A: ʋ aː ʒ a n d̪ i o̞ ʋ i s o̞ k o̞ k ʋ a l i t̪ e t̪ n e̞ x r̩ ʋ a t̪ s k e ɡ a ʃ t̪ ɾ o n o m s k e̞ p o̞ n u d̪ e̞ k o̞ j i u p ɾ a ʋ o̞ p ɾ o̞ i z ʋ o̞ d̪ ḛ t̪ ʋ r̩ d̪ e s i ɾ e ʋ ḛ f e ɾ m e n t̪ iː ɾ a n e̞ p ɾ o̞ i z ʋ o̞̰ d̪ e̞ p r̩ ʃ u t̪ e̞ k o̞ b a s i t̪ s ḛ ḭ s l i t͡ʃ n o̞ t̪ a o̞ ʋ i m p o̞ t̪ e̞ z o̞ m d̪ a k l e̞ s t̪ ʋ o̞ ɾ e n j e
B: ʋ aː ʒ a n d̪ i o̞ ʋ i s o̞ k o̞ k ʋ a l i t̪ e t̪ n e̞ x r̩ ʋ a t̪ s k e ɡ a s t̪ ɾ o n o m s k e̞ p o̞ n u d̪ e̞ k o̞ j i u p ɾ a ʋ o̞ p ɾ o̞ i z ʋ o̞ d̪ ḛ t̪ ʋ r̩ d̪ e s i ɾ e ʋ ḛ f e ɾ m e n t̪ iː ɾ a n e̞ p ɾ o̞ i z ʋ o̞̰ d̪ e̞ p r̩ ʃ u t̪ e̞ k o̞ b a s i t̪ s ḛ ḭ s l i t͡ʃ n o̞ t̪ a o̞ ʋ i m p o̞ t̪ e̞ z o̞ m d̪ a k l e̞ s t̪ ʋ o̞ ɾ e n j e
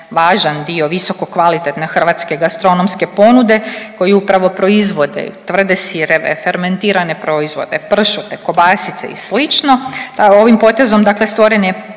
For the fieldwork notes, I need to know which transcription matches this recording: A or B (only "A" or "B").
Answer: B